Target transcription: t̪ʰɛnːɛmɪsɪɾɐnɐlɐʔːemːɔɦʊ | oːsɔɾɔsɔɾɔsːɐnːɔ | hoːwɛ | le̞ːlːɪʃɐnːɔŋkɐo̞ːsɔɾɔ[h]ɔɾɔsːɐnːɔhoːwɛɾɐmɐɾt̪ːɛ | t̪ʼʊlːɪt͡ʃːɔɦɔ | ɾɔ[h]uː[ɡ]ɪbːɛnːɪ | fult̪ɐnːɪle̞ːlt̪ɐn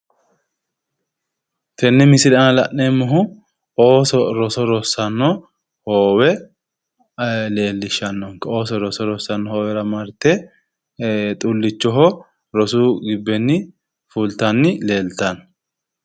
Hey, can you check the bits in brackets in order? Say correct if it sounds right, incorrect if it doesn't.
incorrect: s, incorrect: s, correct

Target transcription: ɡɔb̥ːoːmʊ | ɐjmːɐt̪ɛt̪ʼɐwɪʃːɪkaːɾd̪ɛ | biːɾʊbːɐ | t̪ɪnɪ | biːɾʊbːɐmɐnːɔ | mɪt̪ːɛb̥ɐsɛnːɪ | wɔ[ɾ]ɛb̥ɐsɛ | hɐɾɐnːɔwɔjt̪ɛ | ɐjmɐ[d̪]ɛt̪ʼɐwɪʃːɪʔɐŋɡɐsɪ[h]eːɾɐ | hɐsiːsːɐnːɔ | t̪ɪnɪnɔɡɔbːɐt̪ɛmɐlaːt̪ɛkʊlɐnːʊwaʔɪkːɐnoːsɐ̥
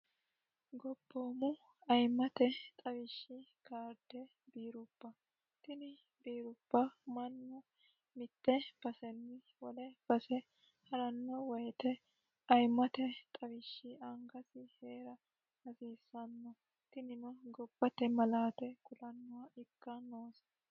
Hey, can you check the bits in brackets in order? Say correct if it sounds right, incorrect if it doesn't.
incorrect: l, incorrect: t̪, correct

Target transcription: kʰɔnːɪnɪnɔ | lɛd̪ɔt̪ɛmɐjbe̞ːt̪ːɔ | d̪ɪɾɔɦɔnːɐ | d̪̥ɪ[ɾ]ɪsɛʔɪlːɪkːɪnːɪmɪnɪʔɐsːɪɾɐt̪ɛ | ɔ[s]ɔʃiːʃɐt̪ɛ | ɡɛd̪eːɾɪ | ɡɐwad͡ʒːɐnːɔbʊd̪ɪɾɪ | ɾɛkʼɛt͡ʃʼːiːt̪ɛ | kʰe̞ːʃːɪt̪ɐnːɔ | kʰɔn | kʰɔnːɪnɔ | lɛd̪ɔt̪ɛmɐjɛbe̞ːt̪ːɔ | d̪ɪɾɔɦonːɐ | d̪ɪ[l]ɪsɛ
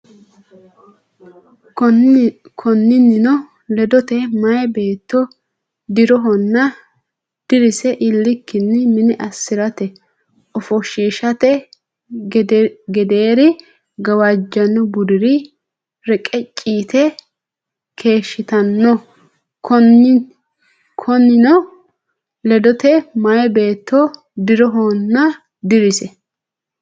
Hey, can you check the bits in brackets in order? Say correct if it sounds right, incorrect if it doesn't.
correct, incorrect: f, incorrect: ɾ

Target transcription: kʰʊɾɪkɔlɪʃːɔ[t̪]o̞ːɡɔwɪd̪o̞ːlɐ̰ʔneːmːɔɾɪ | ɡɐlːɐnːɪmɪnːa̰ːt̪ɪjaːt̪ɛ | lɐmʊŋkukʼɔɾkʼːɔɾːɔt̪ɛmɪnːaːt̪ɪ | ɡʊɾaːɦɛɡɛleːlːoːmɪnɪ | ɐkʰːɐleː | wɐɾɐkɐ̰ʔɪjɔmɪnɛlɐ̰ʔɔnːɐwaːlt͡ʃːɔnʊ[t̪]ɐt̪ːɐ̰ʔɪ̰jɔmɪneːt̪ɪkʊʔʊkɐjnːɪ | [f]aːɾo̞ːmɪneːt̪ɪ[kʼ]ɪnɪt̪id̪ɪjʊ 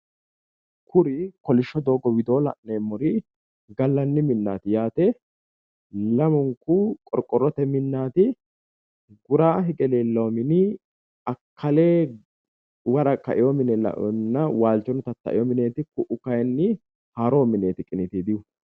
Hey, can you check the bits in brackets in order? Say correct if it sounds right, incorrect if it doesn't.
incorrect: d̪, correct, incorrect: h, correct

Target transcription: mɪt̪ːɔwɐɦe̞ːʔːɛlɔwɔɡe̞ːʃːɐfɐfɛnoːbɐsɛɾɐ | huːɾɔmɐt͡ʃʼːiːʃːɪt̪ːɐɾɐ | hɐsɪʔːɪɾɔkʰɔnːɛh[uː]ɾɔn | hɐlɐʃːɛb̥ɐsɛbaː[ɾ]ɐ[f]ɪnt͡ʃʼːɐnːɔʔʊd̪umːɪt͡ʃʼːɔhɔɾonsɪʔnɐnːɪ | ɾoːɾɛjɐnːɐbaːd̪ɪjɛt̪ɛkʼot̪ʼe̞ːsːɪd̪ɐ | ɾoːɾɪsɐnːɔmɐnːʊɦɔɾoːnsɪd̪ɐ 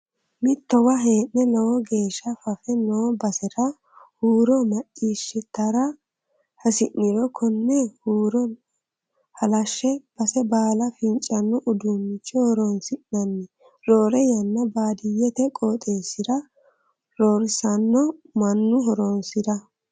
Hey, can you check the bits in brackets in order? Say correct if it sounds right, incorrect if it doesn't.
correct, incorrect: l, correct

